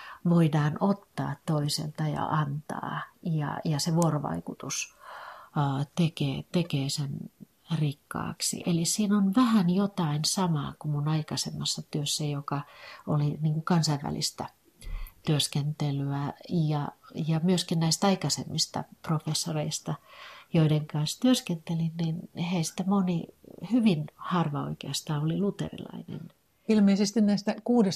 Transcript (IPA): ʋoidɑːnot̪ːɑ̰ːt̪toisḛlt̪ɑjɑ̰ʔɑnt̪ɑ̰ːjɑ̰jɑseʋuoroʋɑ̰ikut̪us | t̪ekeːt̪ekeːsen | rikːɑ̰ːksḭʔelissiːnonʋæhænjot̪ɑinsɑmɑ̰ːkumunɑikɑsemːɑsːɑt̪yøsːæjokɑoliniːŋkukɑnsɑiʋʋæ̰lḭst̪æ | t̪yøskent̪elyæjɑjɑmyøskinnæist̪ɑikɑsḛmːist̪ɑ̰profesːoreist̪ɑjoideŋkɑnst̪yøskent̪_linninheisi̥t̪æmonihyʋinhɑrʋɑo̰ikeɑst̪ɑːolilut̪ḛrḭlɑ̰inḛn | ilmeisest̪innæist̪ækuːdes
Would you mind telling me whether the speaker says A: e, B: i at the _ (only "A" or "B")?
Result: A